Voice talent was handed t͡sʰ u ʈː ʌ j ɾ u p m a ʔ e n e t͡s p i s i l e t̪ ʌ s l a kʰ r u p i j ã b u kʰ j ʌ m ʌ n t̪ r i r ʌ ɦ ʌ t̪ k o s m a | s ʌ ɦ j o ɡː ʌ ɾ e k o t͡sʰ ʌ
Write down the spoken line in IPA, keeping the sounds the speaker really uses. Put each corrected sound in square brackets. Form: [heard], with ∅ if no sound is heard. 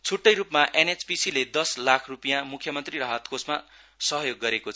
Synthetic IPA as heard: t͡sʰ u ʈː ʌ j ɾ u p m a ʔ e n e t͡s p i s i l e [d̪] ʌ s l a kʰ r u p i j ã [m] u kʰ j ʌ m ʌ n t̪ r i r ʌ ɦ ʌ t̪ k o s m a | s ʌ ɦ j o ɡː ʌ ɾ e k o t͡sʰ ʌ